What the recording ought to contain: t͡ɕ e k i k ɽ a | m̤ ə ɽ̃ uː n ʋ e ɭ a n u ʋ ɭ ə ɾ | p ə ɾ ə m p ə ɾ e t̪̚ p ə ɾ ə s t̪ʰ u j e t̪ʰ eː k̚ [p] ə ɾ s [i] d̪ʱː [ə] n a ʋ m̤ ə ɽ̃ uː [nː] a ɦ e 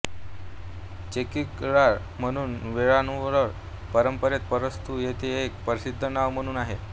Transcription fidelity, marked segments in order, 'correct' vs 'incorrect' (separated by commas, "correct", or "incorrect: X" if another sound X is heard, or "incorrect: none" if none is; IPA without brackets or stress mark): correct, correct, correct, incorrect: n